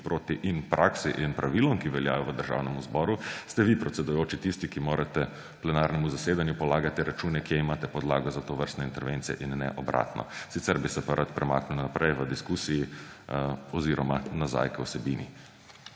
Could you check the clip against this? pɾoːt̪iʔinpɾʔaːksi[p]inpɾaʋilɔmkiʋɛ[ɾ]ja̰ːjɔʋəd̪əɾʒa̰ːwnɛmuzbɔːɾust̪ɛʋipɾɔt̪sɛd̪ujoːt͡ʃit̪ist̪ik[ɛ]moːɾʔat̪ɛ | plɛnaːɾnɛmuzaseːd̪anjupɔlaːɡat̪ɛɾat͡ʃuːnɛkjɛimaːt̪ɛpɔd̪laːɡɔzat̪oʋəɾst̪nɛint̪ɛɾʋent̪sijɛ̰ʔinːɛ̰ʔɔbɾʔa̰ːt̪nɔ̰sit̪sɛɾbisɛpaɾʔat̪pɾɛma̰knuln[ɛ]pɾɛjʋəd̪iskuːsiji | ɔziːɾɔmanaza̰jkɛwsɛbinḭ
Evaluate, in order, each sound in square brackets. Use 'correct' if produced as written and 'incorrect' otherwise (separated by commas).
incorrect, incorrect, incorrect, incorrect